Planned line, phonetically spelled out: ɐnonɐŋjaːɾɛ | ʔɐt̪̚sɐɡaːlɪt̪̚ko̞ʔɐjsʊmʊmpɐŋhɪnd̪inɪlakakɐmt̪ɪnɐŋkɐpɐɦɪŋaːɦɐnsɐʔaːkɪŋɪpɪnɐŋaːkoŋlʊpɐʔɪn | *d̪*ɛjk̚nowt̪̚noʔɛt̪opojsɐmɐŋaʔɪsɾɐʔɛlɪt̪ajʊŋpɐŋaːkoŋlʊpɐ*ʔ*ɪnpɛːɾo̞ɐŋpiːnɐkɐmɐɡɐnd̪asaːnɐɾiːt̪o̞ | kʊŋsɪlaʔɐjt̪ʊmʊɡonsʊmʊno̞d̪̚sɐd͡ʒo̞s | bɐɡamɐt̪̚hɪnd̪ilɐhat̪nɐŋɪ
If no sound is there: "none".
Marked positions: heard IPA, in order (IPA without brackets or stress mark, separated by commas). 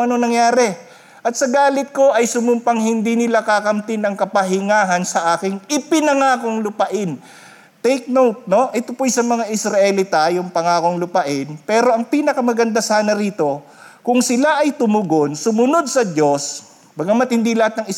t̪, ʔ